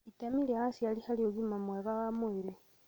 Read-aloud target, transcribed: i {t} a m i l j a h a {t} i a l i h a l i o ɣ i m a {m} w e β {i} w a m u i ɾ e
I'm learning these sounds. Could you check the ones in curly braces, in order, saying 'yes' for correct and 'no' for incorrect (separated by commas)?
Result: yes, no, yes, no